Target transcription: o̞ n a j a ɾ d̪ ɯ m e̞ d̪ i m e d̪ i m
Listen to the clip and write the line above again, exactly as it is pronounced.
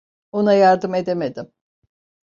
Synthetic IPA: o̞ n a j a ɾ d̪ ɯ m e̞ d̪ e m e d̪ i m